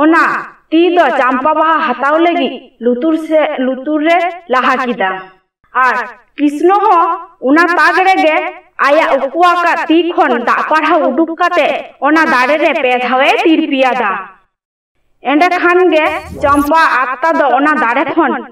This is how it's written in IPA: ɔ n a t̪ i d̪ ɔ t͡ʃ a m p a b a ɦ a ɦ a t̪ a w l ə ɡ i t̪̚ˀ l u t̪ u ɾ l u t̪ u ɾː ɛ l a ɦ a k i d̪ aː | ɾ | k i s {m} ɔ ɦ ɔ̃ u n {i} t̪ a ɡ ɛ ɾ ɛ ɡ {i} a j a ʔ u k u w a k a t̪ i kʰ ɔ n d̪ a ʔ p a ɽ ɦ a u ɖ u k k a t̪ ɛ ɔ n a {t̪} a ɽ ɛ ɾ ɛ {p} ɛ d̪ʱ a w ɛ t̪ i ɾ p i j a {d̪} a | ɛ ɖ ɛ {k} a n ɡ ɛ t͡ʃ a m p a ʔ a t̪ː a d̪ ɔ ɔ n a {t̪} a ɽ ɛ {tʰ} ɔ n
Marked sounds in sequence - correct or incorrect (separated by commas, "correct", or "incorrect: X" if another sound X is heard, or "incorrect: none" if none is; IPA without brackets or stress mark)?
incorrect: n, incorrect: a, incorrect: ɛ, incorrect: d̪, correct, correct, incorrect: kʰ, incorrect: d̪, incorrect: kʰ